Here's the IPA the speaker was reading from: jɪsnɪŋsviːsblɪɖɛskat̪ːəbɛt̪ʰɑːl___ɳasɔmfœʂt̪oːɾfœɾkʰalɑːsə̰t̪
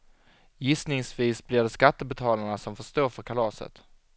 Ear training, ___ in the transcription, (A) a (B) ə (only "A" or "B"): A